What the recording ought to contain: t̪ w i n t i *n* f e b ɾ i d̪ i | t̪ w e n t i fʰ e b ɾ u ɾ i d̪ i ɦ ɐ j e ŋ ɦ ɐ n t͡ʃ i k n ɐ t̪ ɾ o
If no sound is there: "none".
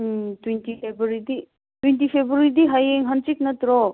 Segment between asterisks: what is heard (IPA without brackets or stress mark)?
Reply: none